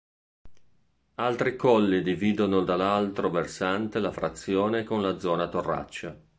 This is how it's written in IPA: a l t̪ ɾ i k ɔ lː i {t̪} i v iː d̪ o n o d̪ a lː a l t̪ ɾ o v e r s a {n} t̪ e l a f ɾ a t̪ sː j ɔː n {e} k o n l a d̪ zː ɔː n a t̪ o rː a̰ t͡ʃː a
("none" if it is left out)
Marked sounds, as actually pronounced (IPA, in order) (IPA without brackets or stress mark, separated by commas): d̪, n, e